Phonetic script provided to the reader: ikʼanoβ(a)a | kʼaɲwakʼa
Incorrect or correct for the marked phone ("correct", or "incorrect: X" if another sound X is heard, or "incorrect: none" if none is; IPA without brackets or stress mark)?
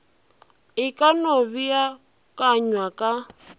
incorrect: i